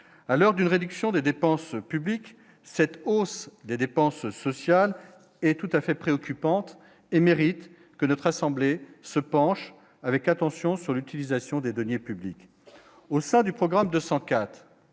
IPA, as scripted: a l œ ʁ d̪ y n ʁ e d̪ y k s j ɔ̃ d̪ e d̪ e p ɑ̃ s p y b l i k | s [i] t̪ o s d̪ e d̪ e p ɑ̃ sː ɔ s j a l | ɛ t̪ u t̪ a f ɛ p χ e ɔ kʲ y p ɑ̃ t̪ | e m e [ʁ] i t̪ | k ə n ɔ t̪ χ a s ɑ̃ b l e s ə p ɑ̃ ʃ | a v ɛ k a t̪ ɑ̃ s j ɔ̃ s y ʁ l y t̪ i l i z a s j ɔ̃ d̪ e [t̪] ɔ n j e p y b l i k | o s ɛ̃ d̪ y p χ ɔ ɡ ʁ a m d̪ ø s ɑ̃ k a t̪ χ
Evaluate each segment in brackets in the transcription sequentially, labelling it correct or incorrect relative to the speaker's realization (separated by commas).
incorrect, correct, incorrect